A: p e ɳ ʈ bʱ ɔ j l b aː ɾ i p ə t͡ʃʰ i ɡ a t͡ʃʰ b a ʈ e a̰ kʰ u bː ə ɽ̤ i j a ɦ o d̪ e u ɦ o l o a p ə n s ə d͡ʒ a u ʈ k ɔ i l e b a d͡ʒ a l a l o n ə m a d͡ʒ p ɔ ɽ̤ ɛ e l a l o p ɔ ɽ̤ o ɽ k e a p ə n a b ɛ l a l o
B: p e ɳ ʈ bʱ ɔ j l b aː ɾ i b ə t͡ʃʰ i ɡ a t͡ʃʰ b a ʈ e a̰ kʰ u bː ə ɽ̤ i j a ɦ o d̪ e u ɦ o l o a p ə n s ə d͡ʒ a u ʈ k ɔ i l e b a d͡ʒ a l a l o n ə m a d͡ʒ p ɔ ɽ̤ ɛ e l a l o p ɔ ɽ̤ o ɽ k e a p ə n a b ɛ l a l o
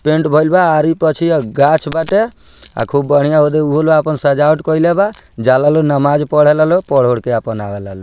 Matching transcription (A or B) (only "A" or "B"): A